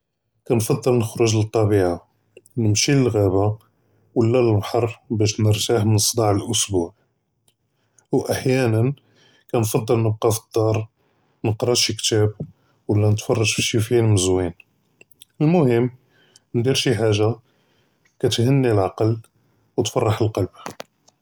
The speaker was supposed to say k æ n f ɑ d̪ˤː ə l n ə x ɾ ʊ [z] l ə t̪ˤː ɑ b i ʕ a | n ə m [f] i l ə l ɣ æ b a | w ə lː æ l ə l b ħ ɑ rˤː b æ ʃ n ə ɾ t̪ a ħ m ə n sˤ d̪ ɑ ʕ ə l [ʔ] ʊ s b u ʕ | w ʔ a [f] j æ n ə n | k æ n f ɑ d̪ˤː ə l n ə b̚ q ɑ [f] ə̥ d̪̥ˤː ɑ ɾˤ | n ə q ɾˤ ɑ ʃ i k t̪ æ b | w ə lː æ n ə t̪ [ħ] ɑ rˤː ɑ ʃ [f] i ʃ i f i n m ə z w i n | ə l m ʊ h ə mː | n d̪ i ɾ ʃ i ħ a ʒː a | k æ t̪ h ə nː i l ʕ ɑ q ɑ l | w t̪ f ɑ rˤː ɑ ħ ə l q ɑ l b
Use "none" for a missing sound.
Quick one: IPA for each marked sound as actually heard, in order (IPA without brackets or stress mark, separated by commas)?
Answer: ʒ, ʃ, ʔ, ħ, f, f, f